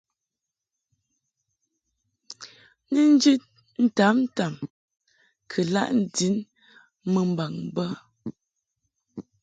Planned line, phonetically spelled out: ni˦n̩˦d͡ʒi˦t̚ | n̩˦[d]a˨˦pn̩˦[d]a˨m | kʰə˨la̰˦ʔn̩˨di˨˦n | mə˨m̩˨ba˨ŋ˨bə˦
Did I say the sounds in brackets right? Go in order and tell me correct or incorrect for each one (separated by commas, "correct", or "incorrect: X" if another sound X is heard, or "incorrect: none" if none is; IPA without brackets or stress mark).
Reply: incorrect: t, incorrect: t